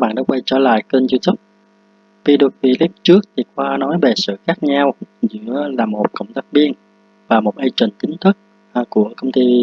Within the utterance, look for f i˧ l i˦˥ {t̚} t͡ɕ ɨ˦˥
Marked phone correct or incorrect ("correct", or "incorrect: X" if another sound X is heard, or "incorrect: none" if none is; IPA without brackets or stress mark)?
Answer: incorrect: p̚